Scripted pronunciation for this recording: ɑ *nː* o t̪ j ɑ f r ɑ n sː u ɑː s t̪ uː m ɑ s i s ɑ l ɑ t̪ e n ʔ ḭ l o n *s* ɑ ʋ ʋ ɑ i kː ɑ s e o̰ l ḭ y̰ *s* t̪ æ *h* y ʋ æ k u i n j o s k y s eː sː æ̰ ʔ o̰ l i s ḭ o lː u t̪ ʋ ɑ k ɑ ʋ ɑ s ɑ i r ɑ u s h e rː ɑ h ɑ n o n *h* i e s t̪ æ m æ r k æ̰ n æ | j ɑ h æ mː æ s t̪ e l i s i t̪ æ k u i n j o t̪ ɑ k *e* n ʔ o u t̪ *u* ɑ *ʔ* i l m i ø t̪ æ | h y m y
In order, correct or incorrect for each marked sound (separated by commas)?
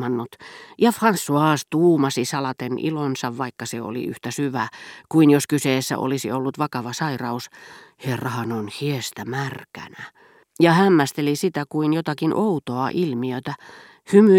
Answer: correct, correct, incorrect, incorrect, correct, incorrect, incorrect, correct